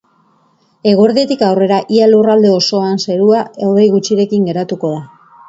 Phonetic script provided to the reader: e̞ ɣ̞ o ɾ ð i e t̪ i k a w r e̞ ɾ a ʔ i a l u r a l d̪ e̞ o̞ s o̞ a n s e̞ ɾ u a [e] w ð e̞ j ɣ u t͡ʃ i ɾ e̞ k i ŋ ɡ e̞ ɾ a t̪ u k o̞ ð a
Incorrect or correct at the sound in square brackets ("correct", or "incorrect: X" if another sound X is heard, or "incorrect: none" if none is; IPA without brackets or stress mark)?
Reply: correct